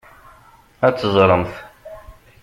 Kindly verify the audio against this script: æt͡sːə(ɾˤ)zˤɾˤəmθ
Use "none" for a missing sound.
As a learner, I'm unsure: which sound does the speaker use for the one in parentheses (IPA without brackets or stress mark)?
none